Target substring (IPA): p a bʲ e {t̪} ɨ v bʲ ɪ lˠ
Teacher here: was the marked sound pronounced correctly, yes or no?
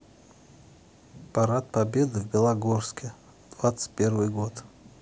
no